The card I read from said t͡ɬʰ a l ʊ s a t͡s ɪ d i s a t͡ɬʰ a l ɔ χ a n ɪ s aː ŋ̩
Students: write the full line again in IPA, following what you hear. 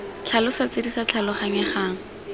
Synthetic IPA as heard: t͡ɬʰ a l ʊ s a t͡s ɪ d i s a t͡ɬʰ a l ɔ χ a ŋ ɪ χ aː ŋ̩

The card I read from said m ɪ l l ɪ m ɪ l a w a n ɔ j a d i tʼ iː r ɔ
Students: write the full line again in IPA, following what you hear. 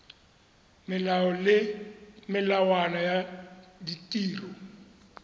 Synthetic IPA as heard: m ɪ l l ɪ m ɪ l a w a n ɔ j a d i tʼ iː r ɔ

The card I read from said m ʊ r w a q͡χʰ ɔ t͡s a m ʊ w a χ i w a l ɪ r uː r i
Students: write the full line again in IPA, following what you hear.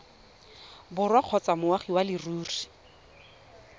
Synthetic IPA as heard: b ʊ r w a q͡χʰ ɔ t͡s a m ʊ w a χ i w a l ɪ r uː r i

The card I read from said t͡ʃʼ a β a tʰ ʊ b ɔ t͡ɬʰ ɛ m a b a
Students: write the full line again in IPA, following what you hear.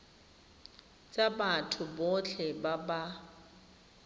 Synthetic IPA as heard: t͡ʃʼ a b a tʰ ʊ b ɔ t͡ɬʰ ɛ b a b a

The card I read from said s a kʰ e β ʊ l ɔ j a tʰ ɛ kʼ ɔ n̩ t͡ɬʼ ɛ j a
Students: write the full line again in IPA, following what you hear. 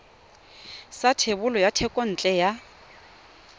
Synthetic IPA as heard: s a tʰ e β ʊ l ɔ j a tʰ ɛ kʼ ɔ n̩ t͡ɬʼ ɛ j a

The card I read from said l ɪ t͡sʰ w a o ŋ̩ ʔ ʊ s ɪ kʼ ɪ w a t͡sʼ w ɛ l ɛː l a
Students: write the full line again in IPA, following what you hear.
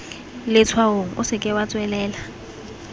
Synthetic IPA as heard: l ɪ t͡sʰ w a o ŋ̩ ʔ ʊ s ɪ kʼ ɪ w a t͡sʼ w ɛ l ɛː l a

